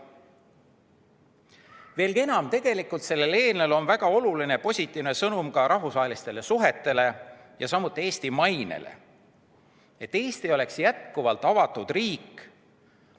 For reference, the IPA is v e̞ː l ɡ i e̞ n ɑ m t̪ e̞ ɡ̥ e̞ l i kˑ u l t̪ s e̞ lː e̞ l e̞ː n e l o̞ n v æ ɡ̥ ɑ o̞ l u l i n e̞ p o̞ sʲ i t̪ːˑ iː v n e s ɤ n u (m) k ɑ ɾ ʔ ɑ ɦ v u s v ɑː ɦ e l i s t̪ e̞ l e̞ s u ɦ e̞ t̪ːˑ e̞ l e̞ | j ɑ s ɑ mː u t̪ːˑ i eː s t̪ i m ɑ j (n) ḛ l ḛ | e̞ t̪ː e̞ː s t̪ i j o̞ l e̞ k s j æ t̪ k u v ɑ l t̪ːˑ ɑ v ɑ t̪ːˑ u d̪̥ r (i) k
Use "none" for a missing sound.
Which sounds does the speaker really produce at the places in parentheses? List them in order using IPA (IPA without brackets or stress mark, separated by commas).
m, n, iː